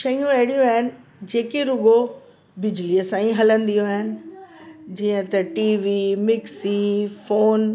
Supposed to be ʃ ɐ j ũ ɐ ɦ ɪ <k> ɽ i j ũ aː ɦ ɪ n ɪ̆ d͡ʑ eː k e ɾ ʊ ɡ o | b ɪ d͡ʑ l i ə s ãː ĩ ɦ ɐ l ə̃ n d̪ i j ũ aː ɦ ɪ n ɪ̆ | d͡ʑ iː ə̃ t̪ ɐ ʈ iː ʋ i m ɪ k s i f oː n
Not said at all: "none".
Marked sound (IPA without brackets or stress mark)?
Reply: none